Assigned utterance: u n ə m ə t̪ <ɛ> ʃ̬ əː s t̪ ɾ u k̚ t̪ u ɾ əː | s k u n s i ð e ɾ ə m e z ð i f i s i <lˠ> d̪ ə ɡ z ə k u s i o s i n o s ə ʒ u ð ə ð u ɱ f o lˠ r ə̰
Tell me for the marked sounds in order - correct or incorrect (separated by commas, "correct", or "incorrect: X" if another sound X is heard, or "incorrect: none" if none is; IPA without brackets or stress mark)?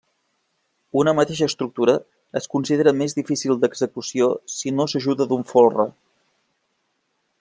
incorrect: e, correct